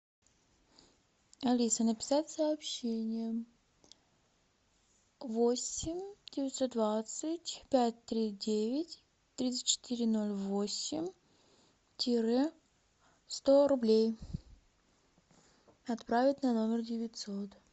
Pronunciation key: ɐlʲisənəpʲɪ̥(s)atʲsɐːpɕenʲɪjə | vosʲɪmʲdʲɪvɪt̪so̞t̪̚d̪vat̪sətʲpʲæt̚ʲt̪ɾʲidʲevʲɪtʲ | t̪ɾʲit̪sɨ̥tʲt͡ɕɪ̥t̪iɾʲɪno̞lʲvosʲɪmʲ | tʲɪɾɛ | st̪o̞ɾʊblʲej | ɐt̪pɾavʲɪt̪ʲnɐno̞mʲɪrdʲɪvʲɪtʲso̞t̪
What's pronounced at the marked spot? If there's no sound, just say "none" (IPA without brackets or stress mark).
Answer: s